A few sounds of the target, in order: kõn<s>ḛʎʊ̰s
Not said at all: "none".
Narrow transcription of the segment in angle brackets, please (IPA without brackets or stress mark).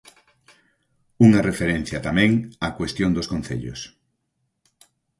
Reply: θ